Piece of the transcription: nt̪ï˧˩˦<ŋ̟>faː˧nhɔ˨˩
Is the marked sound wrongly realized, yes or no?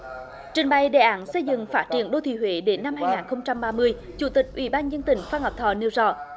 no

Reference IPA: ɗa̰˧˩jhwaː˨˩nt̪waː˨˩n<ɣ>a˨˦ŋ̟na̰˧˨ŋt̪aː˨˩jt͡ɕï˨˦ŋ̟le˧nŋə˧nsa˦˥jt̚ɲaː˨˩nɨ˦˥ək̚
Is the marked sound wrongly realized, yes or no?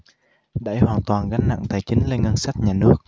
no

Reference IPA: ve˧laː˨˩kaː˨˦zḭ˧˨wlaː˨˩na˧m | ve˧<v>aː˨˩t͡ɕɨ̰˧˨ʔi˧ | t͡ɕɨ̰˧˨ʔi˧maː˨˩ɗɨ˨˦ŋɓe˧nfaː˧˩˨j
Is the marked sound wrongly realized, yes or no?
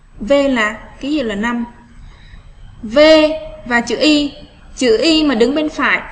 no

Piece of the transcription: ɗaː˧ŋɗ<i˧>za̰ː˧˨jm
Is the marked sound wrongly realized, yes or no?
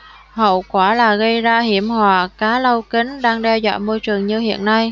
yes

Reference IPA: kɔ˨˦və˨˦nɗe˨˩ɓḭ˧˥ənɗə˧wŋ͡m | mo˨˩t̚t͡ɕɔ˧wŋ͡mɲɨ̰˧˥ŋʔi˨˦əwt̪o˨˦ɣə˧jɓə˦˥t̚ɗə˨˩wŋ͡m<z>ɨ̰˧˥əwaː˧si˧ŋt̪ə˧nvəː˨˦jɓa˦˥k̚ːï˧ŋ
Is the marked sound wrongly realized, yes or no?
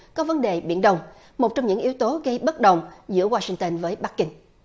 no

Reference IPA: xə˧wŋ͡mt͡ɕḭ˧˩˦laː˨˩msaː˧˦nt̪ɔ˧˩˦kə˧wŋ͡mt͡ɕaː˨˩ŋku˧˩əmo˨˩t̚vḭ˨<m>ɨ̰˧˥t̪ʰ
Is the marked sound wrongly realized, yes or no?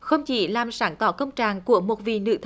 yes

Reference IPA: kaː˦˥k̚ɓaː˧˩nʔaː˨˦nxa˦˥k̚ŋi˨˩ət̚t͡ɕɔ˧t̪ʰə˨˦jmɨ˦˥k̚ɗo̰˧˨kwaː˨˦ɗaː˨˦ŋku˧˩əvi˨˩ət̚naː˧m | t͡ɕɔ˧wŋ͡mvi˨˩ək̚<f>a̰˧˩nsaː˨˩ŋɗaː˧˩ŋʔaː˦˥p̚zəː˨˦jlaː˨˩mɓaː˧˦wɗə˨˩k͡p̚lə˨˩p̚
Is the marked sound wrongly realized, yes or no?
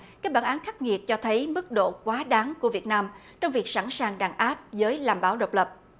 yes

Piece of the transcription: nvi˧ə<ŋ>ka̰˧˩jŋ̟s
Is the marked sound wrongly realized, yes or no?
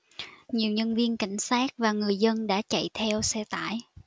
yes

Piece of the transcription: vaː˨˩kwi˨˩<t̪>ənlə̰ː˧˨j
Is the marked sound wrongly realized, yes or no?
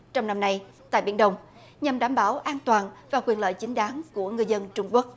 yes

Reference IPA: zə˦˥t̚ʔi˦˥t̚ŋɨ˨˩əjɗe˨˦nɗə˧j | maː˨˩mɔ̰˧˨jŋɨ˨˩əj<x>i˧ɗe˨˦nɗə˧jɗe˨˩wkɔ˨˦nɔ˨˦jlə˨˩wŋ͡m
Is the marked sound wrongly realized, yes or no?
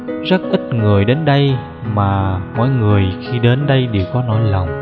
no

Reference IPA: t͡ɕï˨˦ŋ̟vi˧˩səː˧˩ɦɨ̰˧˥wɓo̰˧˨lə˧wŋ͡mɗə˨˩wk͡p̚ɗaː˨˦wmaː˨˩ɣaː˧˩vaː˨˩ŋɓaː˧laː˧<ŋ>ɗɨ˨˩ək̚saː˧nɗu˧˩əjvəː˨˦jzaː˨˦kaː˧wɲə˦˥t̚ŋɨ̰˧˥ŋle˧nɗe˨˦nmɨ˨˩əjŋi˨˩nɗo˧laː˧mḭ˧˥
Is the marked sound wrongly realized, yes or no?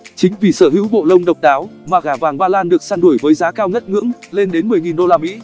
yes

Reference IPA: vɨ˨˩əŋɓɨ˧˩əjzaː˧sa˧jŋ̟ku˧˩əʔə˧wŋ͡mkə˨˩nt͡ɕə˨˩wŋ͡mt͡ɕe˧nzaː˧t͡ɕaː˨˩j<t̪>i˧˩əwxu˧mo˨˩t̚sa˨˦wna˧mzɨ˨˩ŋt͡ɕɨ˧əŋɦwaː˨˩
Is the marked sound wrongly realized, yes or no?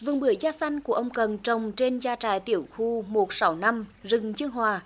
no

